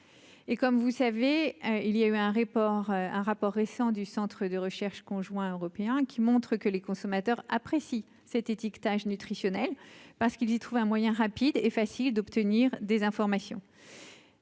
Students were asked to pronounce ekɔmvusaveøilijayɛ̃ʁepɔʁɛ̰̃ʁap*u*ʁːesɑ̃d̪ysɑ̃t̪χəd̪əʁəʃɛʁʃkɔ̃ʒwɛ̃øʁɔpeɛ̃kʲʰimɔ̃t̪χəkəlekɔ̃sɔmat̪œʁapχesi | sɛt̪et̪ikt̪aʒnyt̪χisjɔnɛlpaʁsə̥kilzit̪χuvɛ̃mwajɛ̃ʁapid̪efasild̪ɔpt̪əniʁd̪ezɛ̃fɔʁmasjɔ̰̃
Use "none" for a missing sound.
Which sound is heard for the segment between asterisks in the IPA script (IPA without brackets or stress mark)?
ɔ